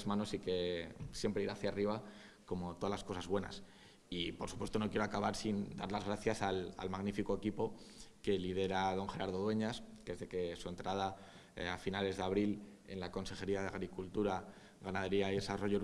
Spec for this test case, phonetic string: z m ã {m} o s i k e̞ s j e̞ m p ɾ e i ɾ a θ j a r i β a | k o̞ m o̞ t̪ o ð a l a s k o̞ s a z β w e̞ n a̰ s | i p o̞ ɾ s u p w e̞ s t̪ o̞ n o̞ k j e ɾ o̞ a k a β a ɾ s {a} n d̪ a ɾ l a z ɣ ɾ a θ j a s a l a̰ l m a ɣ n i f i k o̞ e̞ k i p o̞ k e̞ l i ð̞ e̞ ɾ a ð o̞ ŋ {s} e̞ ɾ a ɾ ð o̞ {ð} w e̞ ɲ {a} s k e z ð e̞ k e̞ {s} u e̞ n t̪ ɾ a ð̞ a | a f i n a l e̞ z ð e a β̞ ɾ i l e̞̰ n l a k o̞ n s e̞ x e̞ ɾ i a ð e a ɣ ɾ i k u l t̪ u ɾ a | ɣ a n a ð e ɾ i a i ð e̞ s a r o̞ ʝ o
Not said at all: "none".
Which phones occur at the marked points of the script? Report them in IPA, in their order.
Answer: n, i, x, ð, a, s

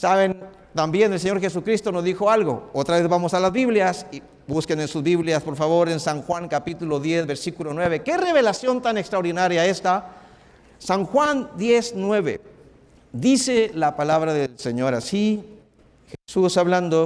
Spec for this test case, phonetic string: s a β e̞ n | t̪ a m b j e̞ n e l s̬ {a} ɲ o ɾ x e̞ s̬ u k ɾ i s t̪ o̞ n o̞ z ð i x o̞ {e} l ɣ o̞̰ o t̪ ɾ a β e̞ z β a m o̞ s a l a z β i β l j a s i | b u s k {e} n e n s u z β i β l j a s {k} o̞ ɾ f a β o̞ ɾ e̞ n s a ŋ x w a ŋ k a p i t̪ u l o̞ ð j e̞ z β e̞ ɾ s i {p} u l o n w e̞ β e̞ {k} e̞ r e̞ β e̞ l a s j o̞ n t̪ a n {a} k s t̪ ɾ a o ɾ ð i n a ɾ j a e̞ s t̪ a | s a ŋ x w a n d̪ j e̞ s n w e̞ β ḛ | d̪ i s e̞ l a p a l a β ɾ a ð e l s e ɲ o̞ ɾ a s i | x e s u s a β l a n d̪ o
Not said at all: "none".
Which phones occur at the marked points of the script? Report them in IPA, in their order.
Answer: e, a, e, p, k, k, e

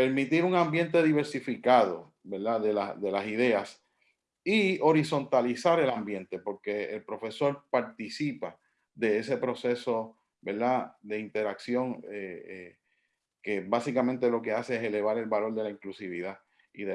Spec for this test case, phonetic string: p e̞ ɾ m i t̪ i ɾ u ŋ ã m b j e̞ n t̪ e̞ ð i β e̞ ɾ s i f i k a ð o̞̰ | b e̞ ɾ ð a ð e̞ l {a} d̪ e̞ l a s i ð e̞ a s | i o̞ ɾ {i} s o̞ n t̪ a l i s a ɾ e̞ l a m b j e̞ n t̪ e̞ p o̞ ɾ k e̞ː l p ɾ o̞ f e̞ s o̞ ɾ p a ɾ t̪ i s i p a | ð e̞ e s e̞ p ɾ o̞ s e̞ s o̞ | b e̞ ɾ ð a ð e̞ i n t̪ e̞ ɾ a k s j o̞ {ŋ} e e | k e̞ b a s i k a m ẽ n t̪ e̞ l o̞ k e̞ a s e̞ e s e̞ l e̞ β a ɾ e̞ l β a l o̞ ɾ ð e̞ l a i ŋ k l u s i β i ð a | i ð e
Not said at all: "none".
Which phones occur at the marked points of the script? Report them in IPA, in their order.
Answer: a, i, ŋ

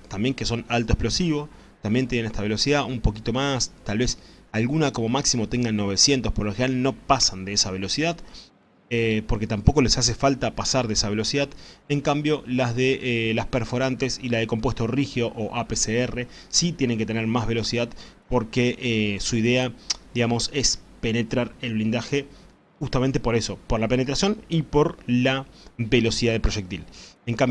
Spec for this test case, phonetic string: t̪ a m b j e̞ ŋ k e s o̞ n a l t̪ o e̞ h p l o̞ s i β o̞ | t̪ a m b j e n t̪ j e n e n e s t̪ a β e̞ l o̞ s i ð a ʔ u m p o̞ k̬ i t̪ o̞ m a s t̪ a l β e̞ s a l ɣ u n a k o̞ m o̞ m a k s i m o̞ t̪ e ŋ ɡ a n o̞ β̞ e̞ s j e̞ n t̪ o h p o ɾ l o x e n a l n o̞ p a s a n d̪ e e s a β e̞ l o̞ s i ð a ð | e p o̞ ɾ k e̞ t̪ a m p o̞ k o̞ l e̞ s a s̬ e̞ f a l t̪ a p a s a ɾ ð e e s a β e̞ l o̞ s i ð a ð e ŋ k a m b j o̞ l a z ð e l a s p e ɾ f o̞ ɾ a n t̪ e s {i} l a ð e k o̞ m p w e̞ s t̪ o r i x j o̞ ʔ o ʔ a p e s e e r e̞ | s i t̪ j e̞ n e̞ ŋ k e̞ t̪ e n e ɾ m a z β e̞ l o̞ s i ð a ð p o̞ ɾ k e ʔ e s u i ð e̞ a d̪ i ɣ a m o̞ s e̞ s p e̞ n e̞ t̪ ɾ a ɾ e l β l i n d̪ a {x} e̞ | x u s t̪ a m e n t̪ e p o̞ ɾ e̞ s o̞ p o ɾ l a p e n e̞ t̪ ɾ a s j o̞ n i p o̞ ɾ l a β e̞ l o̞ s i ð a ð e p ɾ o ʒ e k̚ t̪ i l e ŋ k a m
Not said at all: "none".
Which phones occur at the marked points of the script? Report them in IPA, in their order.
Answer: i, x

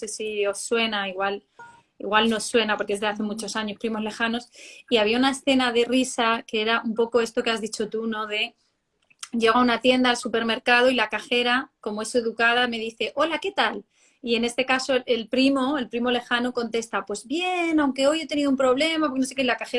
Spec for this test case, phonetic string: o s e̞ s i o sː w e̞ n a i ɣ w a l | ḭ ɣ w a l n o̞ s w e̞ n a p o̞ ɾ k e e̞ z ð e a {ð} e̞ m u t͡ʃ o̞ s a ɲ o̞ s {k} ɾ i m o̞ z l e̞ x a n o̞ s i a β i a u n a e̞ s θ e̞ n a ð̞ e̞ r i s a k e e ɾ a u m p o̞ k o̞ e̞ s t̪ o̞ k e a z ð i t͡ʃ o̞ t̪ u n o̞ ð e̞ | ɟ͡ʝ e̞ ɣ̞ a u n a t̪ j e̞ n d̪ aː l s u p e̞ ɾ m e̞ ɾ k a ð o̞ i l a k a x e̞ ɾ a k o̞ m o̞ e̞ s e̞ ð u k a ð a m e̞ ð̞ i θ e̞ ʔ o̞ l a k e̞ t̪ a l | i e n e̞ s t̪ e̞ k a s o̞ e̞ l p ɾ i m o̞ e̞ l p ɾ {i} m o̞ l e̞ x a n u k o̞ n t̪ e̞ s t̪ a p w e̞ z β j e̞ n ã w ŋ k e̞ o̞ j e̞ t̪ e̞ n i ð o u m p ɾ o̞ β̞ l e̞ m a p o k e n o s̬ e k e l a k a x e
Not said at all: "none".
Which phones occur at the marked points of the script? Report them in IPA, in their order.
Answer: θ, p, i

